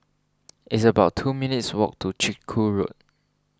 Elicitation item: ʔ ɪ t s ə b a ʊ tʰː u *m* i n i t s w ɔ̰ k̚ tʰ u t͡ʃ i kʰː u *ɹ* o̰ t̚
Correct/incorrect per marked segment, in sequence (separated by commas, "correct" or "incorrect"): correct, correct